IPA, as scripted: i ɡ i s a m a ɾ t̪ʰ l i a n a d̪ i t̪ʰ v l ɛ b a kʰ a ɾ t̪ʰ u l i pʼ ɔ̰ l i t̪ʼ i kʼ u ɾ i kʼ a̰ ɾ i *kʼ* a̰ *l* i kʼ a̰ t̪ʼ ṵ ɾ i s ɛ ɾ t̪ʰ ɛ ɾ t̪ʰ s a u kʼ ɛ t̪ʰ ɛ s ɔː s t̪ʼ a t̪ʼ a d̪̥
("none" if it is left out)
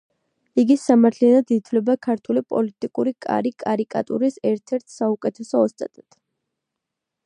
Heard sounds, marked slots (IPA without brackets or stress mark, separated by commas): kʼ, ɾ